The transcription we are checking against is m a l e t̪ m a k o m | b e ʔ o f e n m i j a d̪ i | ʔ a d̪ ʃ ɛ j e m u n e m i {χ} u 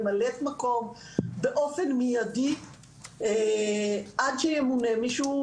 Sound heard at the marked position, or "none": ʃ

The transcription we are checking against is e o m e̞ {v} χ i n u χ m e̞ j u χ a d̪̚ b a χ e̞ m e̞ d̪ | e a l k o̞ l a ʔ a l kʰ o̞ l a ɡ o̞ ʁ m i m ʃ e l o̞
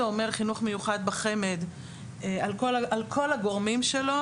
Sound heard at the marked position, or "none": ʁ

